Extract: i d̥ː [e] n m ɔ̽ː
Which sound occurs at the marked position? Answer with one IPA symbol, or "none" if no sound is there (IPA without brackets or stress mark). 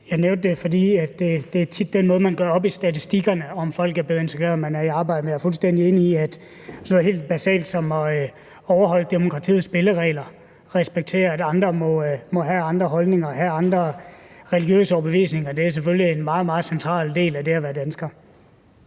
e